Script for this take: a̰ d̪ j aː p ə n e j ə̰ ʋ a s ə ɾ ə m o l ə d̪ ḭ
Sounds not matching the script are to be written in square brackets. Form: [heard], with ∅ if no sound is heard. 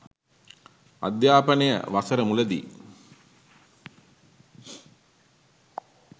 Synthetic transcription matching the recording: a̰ d̪ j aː p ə n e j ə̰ ʋ a s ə ɾ ə m [u] l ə d̪ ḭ